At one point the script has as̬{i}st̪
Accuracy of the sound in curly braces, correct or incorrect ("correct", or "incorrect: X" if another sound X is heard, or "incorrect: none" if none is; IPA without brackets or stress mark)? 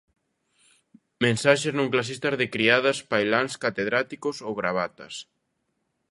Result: correct